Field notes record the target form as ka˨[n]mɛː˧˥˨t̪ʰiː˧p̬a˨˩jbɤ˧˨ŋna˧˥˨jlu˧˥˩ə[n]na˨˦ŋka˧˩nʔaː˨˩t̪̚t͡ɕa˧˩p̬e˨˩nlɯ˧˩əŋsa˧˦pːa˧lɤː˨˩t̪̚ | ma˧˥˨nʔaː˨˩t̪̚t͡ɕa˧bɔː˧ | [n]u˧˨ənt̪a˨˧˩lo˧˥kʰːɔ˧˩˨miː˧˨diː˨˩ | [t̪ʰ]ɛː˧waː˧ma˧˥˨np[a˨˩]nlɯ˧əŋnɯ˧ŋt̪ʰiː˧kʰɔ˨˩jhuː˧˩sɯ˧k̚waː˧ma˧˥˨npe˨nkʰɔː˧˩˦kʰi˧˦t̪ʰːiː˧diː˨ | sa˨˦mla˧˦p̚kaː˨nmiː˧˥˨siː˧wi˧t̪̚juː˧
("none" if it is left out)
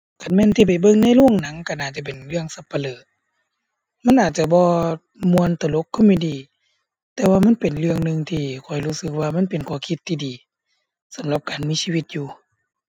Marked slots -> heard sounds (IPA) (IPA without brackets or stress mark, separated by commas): n, ŋ, m, t̪, e˨˩